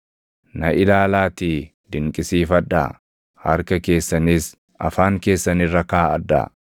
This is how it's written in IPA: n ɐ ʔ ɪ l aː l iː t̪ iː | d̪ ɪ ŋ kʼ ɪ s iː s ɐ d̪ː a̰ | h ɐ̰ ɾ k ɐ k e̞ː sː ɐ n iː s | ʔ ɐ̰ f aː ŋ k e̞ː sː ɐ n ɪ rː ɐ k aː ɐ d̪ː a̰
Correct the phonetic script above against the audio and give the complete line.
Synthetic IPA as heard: n ɐ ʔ ɪ l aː l aː t̪ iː | d̪ ɪ ŋ kʼ ɪ s iː f ɐ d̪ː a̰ | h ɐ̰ ɾ k ɐ k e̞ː sː ɐ n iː s | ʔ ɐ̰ f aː ŋ k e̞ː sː ɐ n ɪ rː ɐ k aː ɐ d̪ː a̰